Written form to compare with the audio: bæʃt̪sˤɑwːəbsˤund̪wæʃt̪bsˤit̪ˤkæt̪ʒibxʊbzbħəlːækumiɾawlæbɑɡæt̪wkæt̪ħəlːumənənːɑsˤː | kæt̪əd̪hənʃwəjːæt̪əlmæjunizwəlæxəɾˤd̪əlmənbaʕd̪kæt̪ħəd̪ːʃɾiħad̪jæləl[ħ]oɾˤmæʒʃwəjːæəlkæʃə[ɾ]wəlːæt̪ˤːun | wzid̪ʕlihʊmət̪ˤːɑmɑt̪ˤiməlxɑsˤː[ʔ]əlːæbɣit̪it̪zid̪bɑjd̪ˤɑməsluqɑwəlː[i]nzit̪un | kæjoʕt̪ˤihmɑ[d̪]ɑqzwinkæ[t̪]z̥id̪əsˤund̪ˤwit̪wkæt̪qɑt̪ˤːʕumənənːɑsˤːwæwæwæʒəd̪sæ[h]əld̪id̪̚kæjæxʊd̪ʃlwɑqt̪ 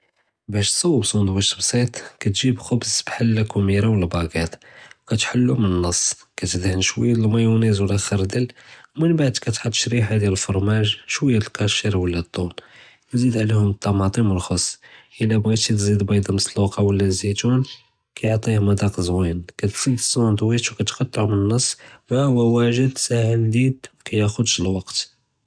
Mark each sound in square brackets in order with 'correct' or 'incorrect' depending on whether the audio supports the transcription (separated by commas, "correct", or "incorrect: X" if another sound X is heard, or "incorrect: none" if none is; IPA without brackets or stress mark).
incorrect: f, correct, correct, incorrect: æ, correct, correct, correct